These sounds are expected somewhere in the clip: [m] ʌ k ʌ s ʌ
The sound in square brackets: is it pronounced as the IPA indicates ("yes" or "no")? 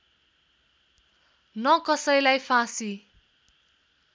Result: no